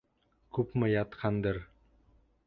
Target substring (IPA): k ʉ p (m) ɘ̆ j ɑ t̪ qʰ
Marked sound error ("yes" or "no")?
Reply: no